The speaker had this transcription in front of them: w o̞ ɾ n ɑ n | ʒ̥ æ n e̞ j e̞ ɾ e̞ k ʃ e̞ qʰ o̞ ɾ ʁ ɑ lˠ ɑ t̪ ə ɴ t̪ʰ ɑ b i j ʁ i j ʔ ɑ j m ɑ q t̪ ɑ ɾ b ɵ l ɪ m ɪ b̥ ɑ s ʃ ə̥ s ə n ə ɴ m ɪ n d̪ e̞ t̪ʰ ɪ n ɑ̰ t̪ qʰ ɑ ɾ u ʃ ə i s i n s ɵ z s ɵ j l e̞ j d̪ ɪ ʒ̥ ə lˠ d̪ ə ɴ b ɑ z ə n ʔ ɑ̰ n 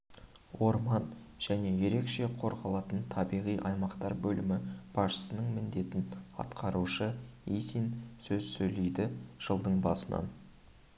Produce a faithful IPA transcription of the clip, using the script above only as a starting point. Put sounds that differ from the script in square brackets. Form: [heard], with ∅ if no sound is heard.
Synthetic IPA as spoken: w o̞ ɾ [m] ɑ n | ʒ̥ æ n e̞ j e̞ ɾ e̞ k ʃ e̞ qʰ o̞ ɾ ʁ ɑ lˠ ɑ t̪ ə [n] t̪ʰ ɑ b i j ʁ i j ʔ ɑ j m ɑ q t̪ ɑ ɾ b ɵ l ɪ m ɪ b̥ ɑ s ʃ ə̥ s ə n ə ɴ m ɪ n d̪ e̞ [t̪] ɪ n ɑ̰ t̪ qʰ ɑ ɾ u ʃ ə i s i n s ɵ z s ɵ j l e̞ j d̪ ɪ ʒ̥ ə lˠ d̪ ə ɴ b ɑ [s] ə n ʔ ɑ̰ n